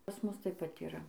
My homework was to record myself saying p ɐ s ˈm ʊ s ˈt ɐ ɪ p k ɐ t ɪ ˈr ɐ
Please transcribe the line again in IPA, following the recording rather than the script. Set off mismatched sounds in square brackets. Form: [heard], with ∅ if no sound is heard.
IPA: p ɐ s ˈm ʊ s ˈt ɐ ɪ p [p] ɐ t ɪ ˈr ɐ